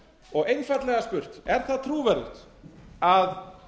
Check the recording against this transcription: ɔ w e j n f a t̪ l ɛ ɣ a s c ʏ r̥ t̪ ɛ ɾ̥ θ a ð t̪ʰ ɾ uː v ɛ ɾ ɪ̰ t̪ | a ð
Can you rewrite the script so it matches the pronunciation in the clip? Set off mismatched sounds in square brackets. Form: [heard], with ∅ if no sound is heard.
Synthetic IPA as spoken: ɔ [ɣ] e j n f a t̪ l ɛ ɣ a s [p] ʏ r̥ t̪ ɛ ɾ̥ θ a ð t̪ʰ ɾ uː v ɛ ɾ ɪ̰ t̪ | a ð